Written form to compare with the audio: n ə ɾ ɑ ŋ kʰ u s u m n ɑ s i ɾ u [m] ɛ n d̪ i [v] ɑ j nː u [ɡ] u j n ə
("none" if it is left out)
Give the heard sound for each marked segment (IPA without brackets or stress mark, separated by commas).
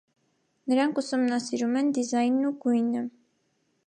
m, z, ɡ